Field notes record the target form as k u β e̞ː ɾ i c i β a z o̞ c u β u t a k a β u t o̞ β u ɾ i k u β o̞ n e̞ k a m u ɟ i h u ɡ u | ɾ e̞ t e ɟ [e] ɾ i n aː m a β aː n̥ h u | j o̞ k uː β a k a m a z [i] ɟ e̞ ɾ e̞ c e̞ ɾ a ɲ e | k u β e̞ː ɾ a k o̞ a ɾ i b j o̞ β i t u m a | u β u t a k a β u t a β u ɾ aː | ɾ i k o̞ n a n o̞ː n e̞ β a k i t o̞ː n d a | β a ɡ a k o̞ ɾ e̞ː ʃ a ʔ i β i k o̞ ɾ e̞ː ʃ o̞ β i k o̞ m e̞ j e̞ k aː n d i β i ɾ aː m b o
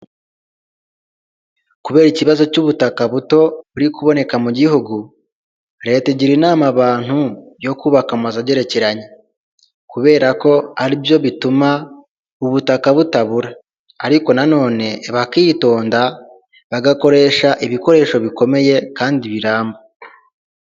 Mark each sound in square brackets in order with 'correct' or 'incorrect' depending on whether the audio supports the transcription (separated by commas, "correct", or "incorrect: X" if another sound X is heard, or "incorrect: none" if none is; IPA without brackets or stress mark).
incorrect: i, incorrect: a